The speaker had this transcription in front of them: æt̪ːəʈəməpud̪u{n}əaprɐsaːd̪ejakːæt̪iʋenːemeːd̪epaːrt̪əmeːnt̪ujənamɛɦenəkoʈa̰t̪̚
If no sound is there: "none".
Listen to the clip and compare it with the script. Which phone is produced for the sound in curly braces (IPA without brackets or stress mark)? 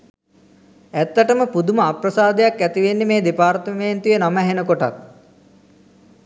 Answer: m